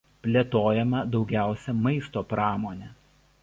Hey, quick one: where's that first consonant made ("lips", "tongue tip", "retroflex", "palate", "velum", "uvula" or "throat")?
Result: lips